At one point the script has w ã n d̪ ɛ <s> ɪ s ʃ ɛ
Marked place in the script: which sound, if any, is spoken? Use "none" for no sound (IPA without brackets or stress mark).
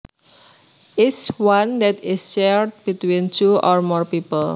t